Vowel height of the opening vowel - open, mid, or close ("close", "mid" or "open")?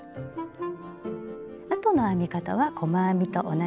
open